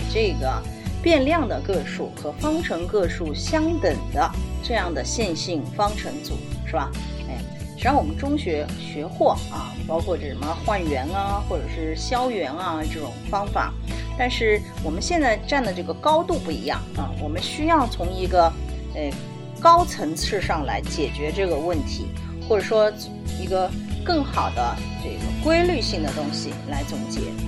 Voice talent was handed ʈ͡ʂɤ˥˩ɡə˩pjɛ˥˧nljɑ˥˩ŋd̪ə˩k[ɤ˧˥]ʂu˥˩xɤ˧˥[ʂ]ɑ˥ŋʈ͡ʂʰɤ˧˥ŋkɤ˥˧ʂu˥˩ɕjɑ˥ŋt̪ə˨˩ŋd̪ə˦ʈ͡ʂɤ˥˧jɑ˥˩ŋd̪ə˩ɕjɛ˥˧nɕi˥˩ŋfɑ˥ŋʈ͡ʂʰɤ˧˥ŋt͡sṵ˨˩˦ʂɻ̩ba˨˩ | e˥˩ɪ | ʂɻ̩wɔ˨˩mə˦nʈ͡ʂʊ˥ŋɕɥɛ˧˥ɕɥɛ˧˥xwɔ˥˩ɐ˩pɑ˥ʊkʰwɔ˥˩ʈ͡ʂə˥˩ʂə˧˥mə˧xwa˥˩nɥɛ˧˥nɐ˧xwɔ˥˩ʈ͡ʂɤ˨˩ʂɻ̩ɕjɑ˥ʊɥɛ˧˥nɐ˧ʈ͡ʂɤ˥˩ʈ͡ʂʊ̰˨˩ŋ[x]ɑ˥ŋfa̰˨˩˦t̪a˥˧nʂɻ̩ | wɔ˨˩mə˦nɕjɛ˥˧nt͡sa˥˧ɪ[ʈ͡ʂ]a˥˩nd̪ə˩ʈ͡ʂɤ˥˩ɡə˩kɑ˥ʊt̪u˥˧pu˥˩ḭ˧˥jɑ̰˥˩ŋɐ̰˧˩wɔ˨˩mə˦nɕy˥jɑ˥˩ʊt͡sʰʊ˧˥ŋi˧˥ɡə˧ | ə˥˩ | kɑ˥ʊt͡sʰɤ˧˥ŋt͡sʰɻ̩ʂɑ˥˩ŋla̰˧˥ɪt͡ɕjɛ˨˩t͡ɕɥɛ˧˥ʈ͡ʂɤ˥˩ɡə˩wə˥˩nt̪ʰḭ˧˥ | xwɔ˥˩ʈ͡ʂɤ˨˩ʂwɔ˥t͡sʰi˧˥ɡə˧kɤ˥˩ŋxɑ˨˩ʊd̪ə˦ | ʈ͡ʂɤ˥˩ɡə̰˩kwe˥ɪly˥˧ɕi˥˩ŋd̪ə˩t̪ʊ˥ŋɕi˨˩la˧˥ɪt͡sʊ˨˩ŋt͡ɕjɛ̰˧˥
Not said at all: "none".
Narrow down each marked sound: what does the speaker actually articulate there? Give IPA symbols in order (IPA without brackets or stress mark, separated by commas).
ɤ˥˧, f, f, ʈ͡ʂ